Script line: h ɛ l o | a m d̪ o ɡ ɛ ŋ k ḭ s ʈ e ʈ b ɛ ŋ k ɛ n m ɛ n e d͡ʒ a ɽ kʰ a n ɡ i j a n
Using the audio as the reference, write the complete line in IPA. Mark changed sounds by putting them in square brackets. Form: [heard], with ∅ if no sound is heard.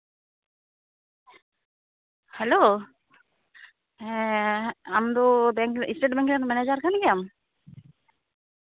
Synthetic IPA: h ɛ l o | a m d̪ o [b] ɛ ŋ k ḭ s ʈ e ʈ b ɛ ŋ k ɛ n m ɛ n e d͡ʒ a [ɾ] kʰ a n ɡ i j a [m]